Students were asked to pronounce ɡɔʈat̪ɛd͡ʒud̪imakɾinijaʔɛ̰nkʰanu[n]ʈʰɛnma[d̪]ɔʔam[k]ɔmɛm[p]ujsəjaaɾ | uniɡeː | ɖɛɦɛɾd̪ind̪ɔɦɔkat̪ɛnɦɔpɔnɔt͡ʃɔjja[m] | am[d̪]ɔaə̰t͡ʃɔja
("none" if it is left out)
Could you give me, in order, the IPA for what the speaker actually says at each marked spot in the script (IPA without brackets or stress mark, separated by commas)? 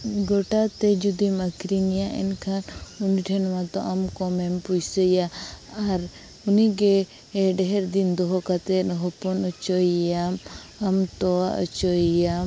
n, t̪, k, p, m, t̪